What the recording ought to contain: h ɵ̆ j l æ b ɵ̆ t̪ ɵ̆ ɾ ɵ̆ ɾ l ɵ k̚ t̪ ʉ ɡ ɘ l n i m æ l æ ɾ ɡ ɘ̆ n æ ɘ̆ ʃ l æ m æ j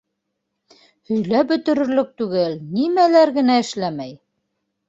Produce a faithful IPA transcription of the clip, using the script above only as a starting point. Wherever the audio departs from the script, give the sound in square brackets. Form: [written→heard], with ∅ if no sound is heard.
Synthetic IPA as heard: h ɵ̆ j l æ b ɵ̆ t̪ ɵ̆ ɾ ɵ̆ ɾ l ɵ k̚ t̪ ʉ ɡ ɘ l n i m æ l æ ɾ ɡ ɘ̆ n æ ɘ̆ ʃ l æ m æ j